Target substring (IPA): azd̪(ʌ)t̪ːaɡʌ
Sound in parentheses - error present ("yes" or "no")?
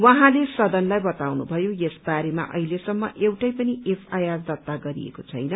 no